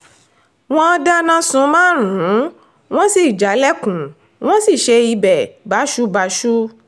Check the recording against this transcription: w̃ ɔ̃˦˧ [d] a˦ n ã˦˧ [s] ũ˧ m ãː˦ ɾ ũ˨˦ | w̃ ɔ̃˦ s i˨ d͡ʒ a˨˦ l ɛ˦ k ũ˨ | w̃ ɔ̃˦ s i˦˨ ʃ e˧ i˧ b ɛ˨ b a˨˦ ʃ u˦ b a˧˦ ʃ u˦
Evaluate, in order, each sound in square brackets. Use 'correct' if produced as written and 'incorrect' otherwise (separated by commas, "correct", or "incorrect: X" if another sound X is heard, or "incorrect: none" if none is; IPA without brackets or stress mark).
correct, correct